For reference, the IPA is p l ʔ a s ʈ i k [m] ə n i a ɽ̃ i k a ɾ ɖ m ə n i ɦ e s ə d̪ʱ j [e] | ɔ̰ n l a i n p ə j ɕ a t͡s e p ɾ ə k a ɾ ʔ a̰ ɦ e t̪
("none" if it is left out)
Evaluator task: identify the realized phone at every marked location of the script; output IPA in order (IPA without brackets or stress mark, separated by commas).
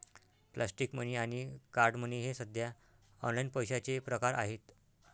m, a